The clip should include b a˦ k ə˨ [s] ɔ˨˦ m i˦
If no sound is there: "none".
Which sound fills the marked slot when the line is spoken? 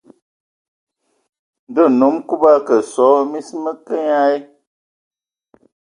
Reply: s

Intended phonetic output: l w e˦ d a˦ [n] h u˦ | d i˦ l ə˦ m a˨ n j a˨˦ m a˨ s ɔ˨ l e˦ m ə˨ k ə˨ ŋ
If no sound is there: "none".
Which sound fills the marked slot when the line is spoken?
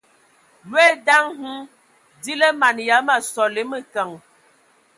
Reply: ŋ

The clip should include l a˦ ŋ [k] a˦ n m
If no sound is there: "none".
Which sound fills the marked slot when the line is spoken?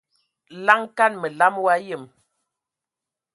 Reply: k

